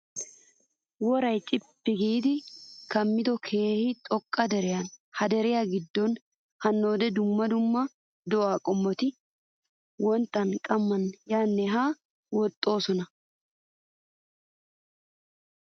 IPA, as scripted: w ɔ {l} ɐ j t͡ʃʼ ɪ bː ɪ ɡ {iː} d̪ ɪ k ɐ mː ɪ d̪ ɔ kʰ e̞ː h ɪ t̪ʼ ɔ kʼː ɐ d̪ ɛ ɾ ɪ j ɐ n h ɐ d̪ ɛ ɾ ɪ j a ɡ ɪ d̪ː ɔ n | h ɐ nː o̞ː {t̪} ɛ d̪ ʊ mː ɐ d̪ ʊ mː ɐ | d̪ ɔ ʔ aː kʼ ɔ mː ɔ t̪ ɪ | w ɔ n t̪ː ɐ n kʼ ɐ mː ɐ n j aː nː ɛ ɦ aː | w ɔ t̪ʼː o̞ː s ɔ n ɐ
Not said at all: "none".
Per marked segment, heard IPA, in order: ɾ, iː, d̪

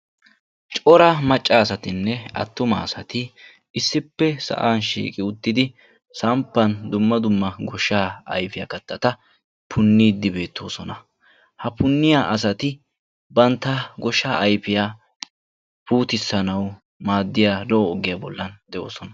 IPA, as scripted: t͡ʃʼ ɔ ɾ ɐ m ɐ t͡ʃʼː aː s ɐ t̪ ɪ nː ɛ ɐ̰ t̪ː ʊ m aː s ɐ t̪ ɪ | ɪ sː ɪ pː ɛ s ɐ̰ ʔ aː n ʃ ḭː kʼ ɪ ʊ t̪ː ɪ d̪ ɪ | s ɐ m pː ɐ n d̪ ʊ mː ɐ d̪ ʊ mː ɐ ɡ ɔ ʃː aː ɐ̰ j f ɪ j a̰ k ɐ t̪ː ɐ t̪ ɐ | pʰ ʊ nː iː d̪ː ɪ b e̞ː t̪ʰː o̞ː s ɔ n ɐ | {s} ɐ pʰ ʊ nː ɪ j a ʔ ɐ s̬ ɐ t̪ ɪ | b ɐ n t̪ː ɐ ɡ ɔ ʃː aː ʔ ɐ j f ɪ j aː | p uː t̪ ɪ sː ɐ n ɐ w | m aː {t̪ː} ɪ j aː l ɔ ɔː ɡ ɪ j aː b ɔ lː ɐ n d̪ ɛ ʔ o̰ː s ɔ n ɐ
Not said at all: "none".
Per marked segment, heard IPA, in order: h, d̪ː

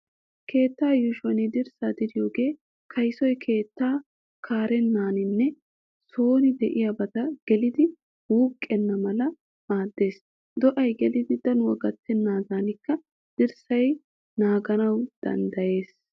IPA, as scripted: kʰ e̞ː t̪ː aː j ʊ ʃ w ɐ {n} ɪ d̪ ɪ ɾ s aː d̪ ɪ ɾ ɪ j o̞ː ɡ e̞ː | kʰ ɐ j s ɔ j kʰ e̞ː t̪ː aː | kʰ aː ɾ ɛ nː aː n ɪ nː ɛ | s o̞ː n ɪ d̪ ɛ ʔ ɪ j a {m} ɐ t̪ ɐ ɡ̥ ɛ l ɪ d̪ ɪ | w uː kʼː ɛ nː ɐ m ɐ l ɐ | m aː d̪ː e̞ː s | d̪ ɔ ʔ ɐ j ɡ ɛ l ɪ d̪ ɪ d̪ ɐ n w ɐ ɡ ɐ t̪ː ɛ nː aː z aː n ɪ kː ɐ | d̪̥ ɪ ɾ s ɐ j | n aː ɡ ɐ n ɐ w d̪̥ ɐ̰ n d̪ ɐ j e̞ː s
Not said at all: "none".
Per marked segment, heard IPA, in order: n, b

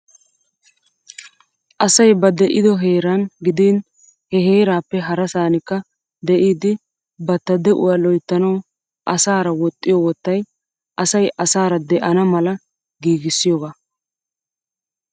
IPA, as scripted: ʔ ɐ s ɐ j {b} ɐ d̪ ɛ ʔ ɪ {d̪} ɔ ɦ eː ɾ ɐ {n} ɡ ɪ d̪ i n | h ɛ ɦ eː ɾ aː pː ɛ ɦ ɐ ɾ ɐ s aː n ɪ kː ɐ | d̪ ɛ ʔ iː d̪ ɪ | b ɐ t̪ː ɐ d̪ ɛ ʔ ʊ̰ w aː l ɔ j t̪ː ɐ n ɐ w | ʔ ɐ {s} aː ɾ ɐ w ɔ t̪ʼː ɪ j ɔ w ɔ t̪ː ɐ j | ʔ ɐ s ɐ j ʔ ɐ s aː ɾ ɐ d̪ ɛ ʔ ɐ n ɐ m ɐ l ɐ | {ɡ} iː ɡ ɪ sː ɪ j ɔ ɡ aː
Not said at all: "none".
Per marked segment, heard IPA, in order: b, d̪, n, s, ɡ

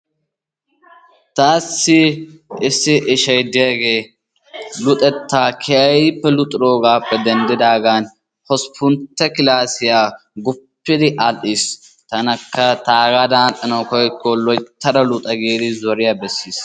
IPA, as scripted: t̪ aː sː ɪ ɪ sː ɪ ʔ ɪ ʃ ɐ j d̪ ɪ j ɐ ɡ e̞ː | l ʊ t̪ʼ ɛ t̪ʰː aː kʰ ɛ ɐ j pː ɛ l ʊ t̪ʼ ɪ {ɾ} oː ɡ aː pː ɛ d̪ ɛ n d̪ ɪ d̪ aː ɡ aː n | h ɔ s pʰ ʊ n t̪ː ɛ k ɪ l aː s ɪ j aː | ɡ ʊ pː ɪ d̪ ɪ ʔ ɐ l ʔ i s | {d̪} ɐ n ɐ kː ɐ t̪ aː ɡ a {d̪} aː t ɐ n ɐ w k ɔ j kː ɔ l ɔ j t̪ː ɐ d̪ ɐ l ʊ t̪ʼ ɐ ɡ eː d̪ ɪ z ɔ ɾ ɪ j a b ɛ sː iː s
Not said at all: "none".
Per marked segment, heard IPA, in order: ɾ, t̪, d̪

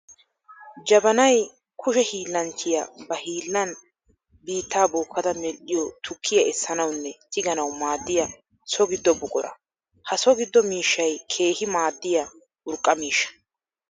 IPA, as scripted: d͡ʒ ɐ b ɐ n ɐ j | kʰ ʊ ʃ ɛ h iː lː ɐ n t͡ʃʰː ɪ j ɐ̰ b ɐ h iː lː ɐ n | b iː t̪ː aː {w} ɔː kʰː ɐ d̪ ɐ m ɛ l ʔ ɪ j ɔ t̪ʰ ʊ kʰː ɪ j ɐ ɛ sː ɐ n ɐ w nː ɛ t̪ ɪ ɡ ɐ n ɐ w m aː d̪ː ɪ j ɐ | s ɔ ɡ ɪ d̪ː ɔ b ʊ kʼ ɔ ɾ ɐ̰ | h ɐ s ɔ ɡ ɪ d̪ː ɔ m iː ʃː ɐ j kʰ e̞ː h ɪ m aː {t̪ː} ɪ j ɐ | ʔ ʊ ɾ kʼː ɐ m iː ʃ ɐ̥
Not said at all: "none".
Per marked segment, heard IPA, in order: b, d̪ː

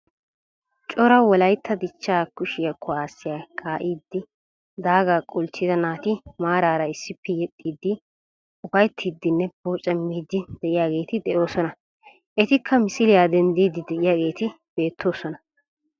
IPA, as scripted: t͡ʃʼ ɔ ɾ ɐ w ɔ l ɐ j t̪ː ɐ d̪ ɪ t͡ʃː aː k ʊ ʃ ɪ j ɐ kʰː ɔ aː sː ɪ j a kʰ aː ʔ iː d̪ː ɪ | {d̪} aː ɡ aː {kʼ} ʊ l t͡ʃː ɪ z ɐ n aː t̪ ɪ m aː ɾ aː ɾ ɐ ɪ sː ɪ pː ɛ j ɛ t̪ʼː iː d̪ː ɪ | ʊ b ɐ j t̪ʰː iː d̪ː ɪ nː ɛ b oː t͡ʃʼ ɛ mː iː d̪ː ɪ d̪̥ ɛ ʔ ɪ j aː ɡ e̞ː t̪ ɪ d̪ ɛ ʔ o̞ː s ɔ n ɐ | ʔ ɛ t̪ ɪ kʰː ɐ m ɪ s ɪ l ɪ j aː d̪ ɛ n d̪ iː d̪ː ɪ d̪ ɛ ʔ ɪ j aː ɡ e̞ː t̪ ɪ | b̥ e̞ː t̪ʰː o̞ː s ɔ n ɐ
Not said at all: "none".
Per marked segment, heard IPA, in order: d̪, kʼ

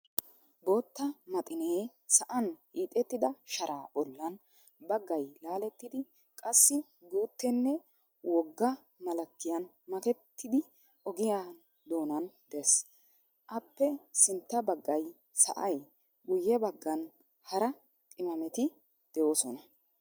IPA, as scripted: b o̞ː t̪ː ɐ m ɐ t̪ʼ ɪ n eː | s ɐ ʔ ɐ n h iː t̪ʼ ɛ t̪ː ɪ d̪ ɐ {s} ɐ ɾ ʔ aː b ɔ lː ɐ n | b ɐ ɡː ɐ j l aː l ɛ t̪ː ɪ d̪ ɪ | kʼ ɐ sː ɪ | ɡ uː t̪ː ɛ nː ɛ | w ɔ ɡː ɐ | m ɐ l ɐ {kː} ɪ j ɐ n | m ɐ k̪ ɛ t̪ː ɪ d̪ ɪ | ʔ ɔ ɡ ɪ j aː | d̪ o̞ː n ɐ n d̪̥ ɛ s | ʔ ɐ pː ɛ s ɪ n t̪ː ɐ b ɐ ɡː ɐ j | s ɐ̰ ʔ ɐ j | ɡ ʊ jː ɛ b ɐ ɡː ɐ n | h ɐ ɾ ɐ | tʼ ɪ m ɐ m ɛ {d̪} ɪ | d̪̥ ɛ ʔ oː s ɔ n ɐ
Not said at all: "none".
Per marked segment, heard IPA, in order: ʃ, kː, t̪

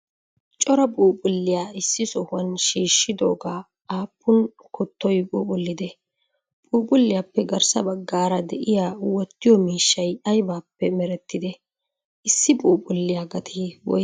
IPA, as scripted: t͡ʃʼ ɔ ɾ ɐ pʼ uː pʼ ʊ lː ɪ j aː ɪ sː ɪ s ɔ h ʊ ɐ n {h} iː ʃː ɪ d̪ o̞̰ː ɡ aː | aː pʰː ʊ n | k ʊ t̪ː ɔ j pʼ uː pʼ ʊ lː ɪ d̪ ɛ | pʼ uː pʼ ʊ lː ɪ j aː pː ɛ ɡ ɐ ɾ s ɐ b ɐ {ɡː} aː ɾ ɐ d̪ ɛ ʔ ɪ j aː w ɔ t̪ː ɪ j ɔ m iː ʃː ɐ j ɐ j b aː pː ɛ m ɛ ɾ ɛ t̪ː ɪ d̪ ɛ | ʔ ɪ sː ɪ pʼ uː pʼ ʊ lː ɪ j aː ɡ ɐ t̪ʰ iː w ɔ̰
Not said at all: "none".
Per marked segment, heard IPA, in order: ʃ, ɡː

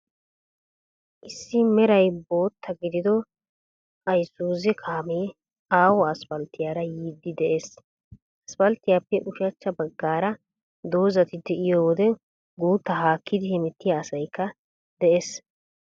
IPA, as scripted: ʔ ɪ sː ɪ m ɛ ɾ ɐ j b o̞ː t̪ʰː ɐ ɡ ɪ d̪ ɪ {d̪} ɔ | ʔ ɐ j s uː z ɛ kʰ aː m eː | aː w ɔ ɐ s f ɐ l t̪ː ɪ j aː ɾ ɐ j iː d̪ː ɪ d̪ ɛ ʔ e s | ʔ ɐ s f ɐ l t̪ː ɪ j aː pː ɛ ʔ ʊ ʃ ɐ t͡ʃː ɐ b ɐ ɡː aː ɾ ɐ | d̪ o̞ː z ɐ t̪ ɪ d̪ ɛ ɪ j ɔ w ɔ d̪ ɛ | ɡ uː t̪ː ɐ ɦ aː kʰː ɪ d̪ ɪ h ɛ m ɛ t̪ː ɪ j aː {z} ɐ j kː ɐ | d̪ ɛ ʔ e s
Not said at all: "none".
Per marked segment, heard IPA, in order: d̪, s

